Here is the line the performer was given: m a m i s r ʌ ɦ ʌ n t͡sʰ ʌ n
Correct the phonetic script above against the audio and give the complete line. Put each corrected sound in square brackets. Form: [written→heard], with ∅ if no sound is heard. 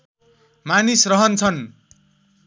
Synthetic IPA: m a [m→n] i s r ʌ ɦ ʌ n t͡sʰ ʌ n